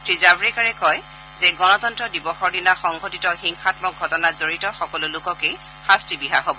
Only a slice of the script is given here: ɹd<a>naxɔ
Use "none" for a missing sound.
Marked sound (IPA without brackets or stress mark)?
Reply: i